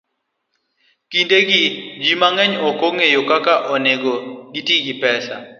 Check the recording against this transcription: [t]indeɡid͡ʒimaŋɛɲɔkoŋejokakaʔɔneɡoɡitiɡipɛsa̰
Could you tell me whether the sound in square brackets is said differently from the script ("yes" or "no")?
yes